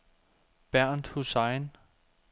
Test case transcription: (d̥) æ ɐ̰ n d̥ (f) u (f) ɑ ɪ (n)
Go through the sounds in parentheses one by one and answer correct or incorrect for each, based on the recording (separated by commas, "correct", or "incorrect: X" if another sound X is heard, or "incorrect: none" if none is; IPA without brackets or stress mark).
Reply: incorrect: b̥, incorrect: h, incorrect: s, correct